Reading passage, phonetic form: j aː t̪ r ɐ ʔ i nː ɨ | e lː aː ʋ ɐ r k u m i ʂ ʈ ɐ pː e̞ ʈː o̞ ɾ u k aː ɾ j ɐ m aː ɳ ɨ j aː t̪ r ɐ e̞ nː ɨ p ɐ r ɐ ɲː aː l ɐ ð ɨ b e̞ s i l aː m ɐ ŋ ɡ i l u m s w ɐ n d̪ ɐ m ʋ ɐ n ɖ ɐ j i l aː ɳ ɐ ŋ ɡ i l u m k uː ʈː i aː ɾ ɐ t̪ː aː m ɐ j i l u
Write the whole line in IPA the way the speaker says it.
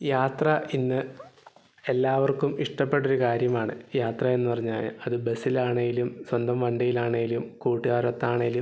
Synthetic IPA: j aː t̪ r ɐ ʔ i nː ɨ | e lː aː ʋ ɐ r k u m i ʂ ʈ ɐ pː e̞ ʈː o̞ ɾ u k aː ɾ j ɐ m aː ɳ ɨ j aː t̪ r ɐ e̞ nː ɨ p ɐ r ɐ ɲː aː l ɐ ð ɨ b e̞ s i l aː ɳ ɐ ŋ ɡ i l u m s w ɐ n d̪ ɐ m ʋ ɐ ɳ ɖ ɐ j i l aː ɳ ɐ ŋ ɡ i l u m k uː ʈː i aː ɾ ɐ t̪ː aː ɳ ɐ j i l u